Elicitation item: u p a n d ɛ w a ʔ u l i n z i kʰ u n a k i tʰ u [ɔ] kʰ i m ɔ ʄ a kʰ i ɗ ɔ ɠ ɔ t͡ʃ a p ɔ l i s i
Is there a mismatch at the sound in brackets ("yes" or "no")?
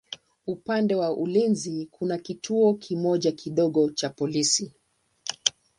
no